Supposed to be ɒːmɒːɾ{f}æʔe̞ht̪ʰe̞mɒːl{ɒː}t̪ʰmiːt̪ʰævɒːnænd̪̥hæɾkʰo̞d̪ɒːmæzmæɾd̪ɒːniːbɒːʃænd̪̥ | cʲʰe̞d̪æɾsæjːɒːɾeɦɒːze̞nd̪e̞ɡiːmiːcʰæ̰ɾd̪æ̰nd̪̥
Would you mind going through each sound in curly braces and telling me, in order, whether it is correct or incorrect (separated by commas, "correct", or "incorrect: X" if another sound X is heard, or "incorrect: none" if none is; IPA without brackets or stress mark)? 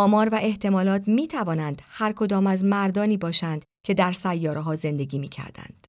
incorrect: v, correct